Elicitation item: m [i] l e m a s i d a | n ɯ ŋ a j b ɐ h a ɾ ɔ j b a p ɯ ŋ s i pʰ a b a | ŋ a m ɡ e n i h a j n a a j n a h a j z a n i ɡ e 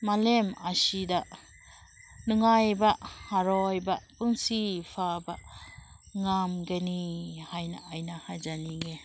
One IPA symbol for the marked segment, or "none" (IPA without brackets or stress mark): a